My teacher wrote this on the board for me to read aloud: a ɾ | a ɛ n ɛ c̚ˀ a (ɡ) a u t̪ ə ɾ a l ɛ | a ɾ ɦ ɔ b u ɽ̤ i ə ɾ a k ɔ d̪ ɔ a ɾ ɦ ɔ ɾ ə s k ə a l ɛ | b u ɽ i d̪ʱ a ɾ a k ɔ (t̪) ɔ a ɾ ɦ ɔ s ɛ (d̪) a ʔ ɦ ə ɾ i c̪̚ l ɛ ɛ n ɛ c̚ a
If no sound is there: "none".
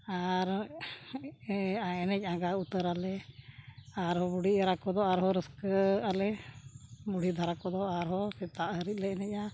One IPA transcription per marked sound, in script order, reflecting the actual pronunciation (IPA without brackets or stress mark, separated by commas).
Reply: ɡ, d̪, t̪